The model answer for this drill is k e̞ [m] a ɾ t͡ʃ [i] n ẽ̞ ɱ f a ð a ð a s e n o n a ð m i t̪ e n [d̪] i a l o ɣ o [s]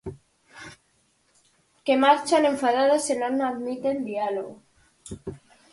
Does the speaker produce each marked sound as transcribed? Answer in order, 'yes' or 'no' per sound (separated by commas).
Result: yes, no, yes, no